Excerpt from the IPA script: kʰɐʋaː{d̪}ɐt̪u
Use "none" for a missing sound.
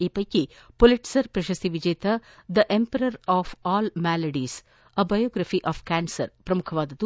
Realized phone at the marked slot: d̪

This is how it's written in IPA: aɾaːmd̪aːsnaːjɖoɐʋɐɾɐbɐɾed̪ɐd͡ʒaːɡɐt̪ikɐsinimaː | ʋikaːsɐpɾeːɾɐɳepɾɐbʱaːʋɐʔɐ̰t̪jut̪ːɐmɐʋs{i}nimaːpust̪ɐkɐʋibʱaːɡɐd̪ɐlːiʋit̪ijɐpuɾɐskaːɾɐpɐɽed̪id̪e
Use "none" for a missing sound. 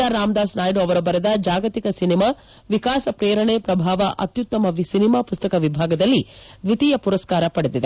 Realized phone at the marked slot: i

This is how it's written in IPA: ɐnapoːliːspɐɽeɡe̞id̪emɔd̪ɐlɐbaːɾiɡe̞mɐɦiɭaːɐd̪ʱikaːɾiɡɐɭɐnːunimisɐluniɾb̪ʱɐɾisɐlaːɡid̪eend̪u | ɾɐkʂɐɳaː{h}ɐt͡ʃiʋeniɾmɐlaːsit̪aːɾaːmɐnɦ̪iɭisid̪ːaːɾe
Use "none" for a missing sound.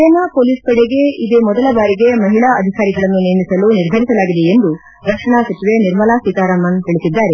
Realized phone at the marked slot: s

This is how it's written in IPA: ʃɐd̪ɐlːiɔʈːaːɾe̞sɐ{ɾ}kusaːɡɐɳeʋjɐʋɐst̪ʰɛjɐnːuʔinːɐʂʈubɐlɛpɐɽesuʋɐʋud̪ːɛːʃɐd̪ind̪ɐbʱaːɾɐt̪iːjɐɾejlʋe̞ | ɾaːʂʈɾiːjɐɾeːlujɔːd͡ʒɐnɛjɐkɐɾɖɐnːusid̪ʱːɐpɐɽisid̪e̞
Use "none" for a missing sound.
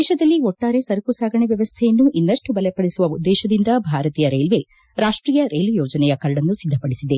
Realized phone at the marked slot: ɾ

